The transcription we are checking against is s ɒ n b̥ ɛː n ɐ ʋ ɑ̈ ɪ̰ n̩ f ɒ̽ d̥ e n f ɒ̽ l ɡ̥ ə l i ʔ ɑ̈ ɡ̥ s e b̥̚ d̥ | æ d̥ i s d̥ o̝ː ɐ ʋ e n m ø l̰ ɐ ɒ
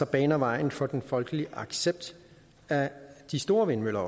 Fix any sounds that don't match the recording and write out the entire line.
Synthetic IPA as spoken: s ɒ b̥ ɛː n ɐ ʋ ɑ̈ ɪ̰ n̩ f ɒ̽ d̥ e n f ɒ̽ l ɡ̥ ə l i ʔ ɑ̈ ɡ̥ s e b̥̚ d̥ | æ d̥ i s d̥ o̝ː ɐ ʋ e n m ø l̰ ɐ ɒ